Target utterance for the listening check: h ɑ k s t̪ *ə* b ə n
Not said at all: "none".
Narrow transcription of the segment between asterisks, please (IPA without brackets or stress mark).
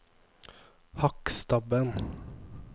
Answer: ɑ